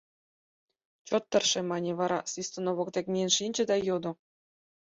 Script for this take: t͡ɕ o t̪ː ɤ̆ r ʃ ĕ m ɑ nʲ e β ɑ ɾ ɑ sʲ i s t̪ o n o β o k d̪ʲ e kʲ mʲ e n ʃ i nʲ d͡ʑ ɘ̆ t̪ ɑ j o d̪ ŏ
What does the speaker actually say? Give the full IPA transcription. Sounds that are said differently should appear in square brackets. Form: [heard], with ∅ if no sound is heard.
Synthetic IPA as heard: t͡ɕ o t̪ː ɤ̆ r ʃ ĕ m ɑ nʲ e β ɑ ɾ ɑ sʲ i s t̪ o n o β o k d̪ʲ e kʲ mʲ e n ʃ i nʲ d͡ʑ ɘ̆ [d̪] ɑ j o d̪ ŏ

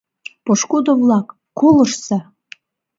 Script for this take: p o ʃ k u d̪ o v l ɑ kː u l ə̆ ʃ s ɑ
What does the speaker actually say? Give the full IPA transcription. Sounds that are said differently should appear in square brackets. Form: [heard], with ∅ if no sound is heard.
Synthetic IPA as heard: p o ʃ k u d̪ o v l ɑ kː [o] l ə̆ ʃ s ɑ

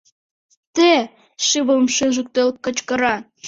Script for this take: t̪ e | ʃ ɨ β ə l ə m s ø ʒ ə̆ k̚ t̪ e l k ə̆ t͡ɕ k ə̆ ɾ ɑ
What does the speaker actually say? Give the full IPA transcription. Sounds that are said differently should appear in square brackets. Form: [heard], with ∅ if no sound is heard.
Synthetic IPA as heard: t̪ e | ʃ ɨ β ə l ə m [ʃ] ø ʒ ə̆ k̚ t̪ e l k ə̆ t͡ɕ k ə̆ ɾ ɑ

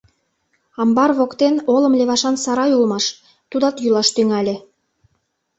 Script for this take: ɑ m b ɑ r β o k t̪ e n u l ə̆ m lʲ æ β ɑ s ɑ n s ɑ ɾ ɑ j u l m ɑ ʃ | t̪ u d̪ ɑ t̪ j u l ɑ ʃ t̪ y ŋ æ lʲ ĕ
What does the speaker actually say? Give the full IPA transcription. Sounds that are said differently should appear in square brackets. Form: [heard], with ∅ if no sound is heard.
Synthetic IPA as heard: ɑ m b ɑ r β o k t̪ e n [o] l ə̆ m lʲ [e] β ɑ [ʃ] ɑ n s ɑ ɾ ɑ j u l m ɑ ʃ | t̪ u d̪ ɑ t̪ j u l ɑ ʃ t̪ y ŋ æ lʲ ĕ

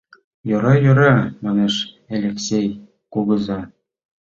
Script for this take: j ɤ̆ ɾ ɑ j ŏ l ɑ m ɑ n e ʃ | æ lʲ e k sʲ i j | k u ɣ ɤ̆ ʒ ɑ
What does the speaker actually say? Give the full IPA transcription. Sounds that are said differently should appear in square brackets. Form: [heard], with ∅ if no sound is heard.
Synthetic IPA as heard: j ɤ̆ ɾ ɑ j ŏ [ɾ] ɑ m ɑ n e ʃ | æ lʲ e k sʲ [e] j | k u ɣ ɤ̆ [z] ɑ

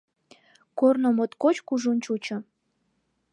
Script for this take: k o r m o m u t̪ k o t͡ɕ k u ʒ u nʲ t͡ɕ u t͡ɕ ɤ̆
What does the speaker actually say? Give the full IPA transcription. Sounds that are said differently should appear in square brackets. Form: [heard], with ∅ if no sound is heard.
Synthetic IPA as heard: k o r [n] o m [o] t̪ k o t͡ɕ k u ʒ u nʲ t͡ɕ u t͡ɕ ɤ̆

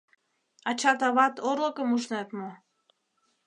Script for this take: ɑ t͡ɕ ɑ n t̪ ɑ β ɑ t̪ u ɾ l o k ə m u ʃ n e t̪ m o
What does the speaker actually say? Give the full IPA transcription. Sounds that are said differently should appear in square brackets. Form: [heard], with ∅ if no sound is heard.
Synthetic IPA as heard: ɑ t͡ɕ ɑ [∅] t̪ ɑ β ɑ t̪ [o] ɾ l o k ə m u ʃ n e t̪ m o

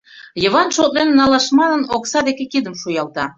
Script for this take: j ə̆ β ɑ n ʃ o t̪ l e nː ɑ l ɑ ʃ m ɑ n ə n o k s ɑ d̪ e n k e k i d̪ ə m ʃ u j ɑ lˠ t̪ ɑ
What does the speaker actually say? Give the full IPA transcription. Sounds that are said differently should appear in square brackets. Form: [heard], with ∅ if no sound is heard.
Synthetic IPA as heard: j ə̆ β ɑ n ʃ o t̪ l e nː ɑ l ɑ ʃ m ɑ n ə n o k s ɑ d̪ e [∅] k e k i d̪ ə m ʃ u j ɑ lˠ t̪ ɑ

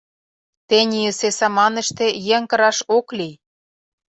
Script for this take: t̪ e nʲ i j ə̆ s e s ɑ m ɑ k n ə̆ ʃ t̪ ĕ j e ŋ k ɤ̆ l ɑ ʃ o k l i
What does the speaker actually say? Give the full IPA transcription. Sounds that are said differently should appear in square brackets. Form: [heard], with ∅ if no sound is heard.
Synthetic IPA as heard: t̪ e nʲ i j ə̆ s e s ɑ m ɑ [∅] n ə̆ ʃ t̪ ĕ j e ŋ k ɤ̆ [ɾ] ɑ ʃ o k l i

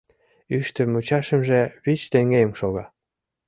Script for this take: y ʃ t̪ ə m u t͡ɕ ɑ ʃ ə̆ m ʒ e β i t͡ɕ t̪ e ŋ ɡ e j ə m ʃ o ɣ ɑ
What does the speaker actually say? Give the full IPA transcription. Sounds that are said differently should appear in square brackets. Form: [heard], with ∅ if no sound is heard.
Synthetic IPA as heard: y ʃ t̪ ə m u t͡ɕ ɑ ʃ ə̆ m ʒ e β i t͡ɕ t̪ e ŋ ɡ e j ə m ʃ o ɣ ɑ

